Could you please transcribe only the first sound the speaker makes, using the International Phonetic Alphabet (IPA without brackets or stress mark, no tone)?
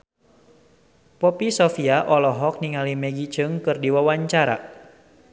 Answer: p